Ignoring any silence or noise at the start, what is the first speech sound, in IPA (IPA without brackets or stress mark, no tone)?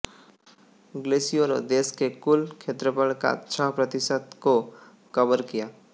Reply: ɡ